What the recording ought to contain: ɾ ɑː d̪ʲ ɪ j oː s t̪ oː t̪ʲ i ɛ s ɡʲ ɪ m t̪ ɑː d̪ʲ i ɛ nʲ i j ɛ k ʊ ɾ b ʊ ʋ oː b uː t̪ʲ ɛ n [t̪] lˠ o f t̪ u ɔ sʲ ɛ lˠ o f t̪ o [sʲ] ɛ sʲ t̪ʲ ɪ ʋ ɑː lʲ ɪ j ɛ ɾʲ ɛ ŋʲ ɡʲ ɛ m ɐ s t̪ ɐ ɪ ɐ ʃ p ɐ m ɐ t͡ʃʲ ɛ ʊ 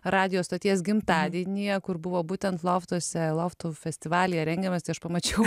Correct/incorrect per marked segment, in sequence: correct, incorrect: fʲ

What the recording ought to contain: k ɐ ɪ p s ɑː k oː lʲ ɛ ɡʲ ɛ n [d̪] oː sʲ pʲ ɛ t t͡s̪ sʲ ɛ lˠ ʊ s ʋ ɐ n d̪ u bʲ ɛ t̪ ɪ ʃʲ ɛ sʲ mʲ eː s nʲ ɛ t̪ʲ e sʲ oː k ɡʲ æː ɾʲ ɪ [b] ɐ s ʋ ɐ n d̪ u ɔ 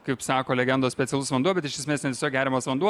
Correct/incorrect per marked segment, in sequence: correct, incorrect: m

